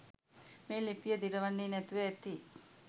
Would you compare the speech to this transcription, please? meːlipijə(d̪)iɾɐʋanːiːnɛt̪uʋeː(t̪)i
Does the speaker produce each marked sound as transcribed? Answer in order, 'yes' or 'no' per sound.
yes, yes

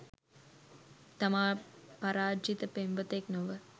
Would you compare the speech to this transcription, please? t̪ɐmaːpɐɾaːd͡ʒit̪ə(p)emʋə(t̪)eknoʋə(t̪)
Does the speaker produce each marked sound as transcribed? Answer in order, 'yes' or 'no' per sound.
yes, yes, no

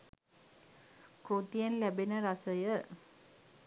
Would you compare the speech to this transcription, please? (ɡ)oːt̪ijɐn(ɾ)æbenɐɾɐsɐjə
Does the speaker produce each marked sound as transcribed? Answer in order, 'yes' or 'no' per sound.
no, no

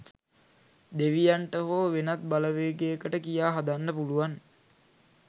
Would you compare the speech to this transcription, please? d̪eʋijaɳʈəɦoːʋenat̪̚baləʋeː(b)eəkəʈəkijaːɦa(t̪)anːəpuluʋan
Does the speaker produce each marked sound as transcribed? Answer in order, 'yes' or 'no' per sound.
no, no

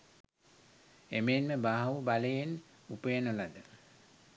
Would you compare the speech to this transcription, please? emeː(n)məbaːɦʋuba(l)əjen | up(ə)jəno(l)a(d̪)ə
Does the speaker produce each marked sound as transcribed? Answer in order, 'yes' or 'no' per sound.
yes, yes, yes, yes, yes

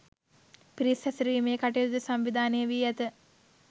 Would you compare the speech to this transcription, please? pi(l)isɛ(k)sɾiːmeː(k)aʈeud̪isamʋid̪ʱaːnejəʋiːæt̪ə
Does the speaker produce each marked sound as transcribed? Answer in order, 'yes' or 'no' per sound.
no, no, yes

